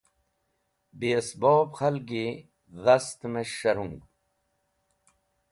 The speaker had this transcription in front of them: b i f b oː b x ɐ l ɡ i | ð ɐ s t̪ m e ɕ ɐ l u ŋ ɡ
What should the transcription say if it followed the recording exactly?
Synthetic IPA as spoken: b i s b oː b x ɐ l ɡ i | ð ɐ s t̪ m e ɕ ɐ ɾ u ŋ ɡ